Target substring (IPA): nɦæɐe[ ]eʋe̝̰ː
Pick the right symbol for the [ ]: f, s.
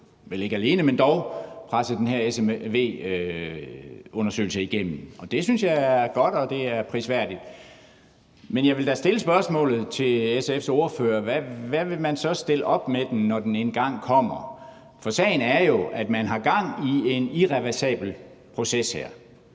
s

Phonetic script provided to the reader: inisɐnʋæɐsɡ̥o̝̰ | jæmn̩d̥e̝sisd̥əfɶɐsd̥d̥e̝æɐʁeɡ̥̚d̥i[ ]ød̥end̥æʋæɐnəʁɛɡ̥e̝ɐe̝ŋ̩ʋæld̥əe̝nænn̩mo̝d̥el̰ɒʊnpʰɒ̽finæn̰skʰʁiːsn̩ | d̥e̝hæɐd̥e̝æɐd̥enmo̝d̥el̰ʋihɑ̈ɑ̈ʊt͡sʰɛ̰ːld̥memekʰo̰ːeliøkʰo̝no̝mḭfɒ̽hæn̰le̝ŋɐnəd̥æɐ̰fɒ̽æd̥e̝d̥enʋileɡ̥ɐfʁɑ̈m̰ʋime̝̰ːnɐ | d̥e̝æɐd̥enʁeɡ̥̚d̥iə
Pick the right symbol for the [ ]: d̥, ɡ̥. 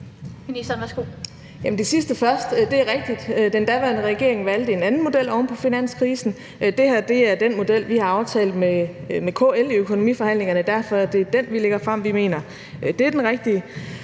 d̥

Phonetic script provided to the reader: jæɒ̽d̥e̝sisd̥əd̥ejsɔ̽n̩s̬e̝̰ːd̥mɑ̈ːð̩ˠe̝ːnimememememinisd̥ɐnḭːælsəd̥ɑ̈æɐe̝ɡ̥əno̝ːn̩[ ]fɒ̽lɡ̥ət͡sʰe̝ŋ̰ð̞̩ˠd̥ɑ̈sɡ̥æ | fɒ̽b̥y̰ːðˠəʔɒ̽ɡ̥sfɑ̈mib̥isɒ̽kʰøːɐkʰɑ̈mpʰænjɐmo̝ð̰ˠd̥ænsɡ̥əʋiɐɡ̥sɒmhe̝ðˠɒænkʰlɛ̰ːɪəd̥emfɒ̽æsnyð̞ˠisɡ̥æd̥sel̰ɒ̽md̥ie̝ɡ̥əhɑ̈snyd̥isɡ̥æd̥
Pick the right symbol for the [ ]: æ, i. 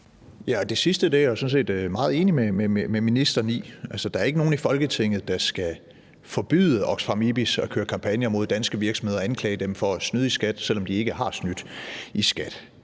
i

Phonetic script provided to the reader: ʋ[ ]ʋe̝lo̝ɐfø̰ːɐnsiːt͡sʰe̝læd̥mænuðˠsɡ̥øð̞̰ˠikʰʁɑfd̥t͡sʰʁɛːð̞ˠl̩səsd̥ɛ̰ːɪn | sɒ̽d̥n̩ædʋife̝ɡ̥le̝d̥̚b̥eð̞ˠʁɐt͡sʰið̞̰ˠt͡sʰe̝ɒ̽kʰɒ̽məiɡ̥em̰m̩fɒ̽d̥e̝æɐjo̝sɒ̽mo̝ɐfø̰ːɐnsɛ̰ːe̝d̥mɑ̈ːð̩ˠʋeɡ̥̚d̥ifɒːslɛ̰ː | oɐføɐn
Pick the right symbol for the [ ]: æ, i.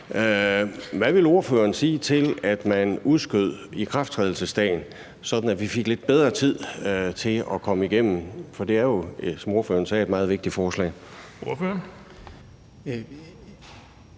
æ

